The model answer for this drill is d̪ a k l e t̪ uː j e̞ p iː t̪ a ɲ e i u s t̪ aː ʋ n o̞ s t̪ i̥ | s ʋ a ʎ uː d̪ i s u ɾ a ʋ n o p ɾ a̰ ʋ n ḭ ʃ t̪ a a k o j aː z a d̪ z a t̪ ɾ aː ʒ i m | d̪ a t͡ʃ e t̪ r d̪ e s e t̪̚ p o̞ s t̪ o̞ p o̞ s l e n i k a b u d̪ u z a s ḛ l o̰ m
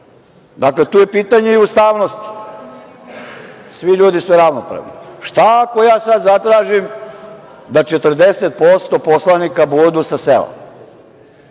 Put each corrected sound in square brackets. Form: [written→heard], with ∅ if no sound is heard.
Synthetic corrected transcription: d̪ a k l e t̪ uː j e̞ p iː t̪ a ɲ e i u s t̪ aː ʋ n o̞ s t̪ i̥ | s ʋ [a→i] ʎ uː d̪ i s u ɾ a ʋ n o p ɾ a̰ ʋ n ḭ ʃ t̪ a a k o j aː [z→s] a d̪ z a t̪ ɾ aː ʒ i m | d̪ a t͡ʃ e t̪ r d̪ e s e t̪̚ p o̞ s t̪ o̞ p o̞ s l [e→a] n i k a b u d̪ u [z→s] a s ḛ l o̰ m